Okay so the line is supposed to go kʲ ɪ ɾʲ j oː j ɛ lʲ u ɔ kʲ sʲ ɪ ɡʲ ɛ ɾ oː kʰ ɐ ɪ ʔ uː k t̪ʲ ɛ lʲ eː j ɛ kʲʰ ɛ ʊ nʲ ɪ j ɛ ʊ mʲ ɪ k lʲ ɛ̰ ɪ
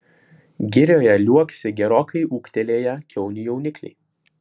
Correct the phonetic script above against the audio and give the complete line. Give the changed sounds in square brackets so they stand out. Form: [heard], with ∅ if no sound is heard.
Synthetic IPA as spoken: [ɡʲ] ɪ ɾʲ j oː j ɛ lʲ u ɔ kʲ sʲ ɪ ɡʲ ɛ ɾ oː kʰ ɐ ɪ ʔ uː k t̪ʲ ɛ lʲ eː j ɛ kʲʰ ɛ ʊ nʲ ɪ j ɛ ʊ [nʲ] ɪ k lʲ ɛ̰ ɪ